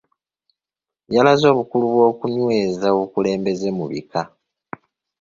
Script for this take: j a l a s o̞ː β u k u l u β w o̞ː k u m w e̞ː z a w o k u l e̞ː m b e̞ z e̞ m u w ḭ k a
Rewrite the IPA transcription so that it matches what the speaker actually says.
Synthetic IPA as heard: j a l a z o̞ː β u k u l u β w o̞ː k u ɲ w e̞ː z a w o k u l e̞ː m b e̞ z e̞ m u β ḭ k a